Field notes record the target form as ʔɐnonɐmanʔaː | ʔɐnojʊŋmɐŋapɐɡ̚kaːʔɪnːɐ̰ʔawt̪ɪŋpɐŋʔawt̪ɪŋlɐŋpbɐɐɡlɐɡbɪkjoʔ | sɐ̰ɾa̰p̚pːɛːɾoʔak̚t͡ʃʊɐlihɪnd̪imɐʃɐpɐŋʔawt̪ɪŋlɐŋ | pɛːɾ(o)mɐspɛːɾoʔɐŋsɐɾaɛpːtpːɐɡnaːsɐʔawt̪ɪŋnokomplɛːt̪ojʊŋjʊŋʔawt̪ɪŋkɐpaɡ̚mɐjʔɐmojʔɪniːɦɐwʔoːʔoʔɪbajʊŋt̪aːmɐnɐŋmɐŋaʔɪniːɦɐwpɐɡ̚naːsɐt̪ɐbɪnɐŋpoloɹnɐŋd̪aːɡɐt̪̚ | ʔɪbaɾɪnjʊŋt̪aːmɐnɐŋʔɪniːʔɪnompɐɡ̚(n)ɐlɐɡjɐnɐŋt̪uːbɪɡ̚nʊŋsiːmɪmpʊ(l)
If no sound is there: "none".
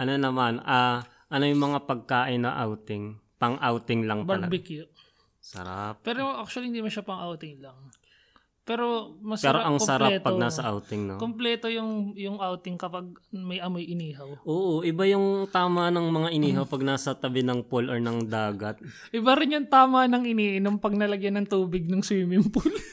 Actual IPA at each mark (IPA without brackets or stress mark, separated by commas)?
o, n, l